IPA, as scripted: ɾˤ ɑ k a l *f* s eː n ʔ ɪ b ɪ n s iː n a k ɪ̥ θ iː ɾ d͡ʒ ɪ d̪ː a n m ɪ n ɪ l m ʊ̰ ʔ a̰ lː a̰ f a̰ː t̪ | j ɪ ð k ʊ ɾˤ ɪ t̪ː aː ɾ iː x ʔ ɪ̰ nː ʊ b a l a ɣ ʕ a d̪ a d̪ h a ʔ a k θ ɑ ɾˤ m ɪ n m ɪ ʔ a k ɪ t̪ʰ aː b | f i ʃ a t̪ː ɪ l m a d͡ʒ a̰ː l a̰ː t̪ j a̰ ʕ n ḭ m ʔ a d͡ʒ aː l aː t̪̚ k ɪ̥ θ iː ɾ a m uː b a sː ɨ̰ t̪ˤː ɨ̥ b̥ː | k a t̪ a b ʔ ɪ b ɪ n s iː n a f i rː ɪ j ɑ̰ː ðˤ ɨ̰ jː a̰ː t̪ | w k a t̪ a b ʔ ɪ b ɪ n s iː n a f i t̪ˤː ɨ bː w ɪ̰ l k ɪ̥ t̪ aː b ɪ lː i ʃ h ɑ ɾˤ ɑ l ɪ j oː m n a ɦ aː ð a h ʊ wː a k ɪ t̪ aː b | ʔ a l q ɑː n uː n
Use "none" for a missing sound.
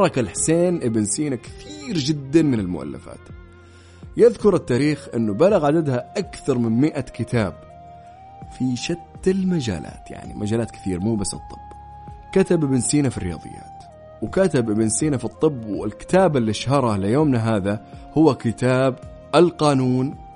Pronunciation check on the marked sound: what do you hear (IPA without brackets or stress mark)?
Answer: ħ